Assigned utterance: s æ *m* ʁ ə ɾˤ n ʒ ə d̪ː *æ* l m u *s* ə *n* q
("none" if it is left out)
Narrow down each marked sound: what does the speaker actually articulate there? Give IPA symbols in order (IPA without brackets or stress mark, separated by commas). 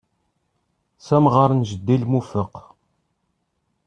m, i, f, none